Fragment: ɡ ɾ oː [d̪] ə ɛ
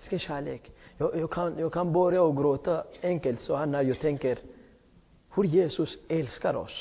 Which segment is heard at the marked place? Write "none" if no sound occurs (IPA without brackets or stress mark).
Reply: t̪